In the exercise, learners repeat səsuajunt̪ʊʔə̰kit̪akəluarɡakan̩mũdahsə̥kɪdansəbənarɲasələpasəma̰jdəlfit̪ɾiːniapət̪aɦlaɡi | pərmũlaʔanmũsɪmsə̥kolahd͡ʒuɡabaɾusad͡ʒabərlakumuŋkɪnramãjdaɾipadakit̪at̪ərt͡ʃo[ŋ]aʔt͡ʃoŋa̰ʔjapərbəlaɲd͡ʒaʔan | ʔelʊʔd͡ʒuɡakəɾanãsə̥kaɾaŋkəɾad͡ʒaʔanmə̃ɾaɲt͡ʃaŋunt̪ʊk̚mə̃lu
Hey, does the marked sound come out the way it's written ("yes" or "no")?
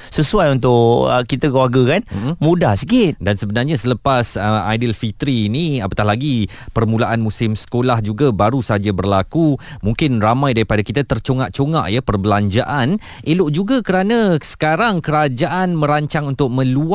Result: yes